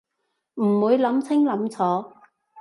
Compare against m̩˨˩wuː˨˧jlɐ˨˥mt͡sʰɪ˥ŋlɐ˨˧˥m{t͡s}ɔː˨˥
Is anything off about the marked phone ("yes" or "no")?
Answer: yes